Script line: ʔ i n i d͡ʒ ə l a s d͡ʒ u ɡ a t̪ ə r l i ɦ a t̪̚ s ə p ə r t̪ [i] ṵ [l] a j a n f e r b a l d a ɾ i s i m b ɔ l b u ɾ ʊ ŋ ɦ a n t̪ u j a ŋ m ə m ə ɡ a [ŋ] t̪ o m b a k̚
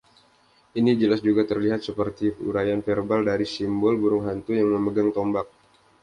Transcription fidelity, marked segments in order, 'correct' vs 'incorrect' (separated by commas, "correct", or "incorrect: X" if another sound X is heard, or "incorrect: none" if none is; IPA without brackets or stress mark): correct, incorrect: ɾ, correct